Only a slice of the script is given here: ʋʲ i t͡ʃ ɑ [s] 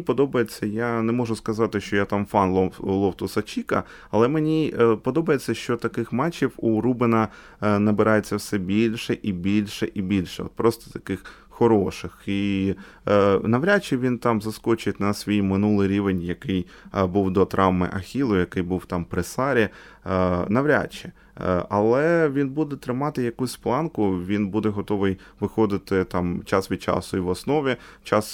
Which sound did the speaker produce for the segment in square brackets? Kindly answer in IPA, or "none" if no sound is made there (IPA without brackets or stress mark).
s